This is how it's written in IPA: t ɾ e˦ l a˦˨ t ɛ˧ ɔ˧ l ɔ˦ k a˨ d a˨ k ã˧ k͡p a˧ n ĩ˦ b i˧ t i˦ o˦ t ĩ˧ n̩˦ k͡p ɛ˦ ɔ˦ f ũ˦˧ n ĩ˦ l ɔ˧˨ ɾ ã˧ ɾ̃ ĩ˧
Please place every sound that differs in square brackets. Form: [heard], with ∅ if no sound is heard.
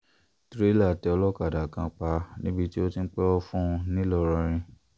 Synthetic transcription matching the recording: t ɾ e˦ l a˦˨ t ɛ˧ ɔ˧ l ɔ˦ k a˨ d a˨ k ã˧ k͡p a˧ n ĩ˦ b i˧ t i˦ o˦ t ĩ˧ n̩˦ k͡p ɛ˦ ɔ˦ f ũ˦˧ n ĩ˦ l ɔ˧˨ ɾ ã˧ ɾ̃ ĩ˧